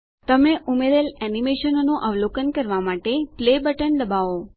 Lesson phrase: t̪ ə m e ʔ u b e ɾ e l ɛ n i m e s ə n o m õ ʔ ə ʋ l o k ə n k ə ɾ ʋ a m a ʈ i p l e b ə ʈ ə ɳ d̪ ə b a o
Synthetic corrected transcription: t̪ ə m e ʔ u m e ɾ e l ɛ n i m e ʃ ə n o n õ ʔ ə ʋ l o k ə n k ə ɾ ʋ a m a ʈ e p l e b ə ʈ ə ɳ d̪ ə b a o